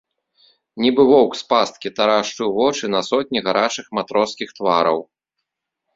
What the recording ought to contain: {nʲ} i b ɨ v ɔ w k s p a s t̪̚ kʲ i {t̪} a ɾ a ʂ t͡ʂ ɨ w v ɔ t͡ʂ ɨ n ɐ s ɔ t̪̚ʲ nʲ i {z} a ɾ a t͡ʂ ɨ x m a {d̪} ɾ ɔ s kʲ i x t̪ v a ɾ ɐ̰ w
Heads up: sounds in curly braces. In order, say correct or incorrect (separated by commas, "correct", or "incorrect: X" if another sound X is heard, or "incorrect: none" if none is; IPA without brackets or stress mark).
correct, correct, incorrect: ɣ, incorrect: t̪